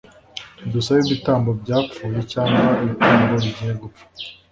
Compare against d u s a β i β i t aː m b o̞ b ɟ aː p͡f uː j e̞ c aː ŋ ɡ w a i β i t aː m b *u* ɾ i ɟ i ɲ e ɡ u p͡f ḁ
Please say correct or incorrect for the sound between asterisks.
incorrect